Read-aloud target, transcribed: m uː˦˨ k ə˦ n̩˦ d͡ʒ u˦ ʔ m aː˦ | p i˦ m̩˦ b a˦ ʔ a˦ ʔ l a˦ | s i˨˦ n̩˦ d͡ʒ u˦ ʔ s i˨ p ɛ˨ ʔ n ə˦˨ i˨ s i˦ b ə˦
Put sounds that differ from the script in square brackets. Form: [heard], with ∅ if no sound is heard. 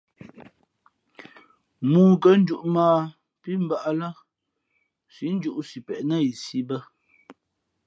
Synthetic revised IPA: m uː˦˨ k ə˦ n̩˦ d͡ʒ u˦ ʔ m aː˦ | p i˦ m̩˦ b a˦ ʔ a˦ [∅] l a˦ | s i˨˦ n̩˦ d͡ʒ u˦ ʔ s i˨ p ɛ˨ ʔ n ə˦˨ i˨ s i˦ b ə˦